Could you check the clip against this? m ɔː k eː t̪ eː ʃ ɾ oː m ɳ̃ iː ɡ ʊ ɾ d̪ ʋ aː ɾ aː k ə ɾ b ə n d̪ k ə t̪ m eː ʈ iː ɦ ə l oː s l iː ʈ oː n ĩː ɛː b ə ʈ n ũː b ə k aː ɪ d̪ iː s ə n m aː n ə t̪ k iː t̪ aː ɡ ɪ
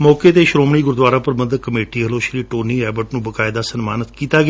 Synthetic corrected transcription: m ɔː k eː t̪ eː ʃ ɾ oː m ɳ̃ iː ɡ ʊ ɾ d̪ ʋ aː ɾ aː p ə ɾ b ə n d̪ k ə m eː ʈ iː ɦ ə l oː ʃ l iː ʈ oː n iː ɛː b ə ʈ n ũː b ə k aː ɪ d̪ aː s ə n m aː n ə t̪ k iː t̪ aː ɡ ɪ

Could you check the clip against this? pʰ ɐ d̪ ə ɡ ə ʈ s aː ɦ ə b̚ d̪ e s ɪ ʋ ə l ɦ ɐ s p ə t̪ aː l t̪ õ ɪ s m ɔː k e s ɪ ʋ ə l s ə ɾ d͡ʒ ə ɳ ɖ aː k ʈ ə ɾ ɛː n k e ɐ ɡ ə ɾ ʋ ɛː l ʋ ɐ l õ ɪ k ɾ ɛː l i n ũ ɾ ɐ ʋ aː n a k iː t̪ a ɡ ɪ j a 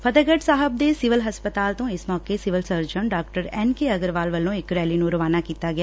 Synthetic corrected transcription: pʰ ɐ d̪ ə ɡ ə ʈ s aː ɦ ə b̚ d̪ e s ɪ ʋ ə l ɦ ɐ s p ə t̪ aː l t̪ õ ɪ s m ɔː k e s ɪ ʋ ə l s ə ɾ d͡ʒ ə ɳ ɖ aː k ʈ ə ɾ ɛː n k e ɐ ɡ ə ɾ ʋ aː l ʋ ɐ l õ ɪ k ɾ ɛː l i n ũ ɾ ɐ ʋ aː n a k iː t̪ a ɡ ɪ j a

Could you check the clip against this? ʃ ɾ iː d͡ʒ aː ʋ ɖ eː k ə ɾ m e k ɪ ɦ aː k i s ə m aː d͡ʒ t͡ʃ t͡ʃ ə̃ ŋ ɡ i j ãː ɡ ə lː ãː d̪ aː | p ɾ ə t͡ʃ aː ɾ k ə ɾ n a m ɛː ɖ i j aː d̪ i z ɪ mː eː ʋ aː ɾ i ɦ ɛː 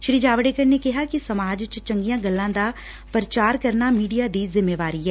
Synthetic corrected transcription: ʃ ɾ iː d͡ʒ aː ʋ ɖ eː k ə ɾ n e k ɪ ɦ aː k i s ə m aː d͡ʒ t͡ʃ t͡ʃ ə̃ ŋ ɡ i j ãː ɡ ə lː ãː d̪ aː | p ɾ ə t͡ʃ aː ɾ k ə ɾ n a m iː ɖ i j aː d̪ i z ɪ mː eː ʋ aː ɾ i ɦ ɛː

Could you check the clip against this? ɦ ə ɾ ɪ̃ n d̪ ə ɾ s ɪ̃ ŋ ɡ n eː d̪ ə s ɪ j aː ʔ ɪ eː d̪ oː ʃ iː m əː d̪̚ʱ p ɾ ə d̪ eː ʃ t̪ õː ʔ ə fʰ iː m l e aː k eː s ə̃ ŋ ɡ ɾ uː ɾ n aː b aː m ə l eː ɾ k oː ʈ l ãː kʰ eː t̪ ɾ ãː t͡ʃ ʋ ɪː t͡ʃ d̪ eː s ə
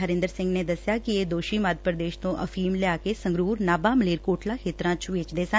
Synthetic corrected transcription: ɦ ə ɾ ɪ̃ n d̪ ə ɾ s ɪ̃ ŋ ɡ n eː d̪ ə s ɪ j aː k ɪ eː d̪ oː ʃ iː m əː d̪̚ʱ p ɾ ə d̪ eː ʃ t̪ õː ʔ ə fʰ iː m l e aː k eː s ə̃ ŋ ɡ ɾ uː ɾ n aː b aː m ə l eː ɾ k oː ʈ l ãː kʰ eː t̪ ɾ ãː t͡ʃ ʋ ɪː t͡ʃ d̪ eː s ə

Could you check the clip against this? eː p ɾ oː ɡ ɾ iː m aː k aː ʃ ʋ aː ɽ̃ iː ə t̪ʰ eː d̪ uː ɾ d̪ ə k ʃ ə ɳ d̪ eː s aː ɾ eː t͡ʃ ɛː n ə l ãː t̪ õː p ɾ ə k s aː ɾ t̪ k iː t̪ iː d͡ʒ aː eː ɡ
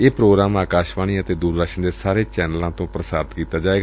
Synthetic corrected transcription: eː p ɾ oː ɡ ɾ aː m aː k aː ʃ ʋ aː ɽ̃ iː ə t̪ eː d̪ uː ɾ d̪ ə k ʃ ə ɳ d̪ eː s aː ɾ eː t͡ʃ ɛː n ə l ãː t̪ õː p ɾ ə s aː ɾ t̪ k iː t̪ aː d͡ʒ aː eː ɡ

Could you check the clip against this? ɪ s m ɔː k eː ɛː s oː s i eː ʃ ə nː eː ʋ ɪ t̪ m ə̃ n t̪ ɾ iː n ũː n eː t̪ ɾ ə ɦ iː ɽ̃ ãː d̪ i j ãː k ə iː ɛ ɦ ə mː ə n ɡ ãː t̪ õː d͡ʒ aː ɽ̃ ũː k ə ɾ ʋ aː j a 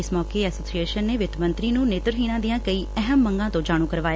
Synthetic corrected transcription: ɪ s m ɔː k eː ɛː s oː s i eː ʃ ə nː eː ʋ ɪ t̪ m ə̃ n t̪ ɾ iː n ũː n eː t̪ ɾ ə ɦ iː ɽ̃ ãː d̪ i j ãː k ə iː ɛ ɦ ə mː ə ŋ ɡ ãː t̪ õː d͡ʒ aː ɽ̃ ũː k ə ɾ ʋ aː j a

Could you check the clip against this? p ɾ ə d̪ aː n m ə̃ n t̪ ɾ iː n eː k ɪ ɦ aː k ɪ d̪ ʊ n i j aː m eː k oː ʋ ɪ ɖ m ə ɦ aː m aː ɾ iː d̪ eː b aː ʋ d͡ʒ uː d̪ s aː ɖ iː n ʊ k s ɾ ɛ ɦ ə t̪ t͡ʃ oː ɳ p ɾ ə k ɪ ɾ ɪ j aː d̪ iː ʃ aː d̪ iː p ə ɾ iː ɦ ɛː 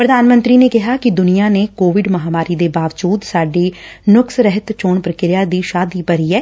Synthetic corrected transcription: p ɾ ə d̪ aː n m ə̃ n t̪ ɾ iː n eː k ɪ ɦ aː k ɪ d̪ ʊ n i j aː n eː k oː ʋ ɪ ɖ m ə ɦ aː m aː ɾ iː d̪ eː b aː ʋ d͡ʒ uː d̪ s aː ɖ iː n ʊ k s ɾ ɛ ɦ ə t̪ t͡ʃ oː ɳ p ɾ ə k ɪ ɾ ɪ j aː d̪ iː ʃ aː d̪ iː p ə ɾ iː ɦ ɛː

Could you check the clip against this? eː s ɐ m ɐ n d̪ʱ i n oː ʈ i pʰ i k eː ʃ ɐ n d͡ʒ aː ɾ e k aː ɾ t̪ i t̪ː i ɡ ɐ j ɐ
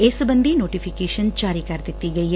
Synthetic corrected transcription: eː s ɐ b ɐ n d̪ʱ i n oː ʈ i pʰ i k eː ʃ ɐ n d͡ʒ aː ɾ i k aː ɾ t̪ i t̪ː i ɡ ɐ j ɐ

